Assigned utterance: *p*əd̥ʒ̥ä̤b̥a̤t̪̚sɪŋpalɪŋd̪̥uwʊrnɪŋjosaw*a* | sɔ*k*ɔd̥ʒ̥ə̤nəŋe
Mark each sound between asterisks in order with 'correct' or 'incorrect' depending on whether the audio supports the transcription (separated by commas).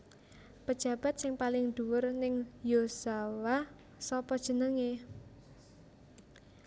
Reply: correct, correct, incorrect